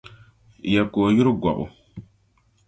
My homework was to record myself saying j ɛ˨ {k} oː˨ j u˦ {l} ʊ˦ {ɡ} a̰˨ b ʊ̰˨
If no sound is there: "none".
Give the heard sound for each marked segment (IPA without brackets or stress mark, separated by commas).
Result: k, ɾ, ɡ